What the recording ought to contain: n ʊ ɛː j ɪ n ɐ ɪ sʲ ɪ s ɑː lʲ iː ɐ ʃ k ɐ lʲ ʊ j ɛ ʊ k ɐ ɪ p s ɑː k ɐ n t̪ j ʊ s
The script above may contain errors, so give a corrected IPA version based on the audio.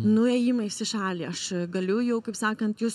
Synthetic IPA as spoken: n ʊ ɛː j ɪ m ɐ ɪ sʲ ɪ ʃ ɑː lʲ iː ɐ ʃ ɡ ɐ lʲ ʊ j ɛ ʊ k ɐ ɪ p s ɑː k ɐ n t̪ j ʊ s